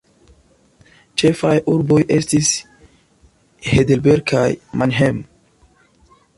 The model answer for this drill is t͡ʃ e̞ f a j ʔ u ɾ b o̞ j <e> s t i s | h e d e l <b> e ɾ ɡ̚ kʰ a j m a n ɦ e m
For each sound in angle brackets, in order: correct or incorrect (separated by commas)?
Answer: correct, correct